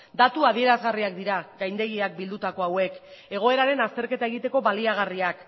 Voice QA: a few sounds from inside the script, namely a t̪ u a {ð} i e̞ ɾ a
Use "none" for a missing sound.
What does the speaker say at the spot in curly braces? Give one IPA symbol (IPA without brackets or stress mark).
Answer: ð